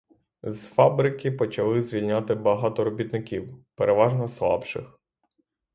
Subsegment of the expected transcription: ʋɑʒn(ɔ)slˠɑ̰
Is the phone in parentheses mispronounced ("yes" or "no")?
no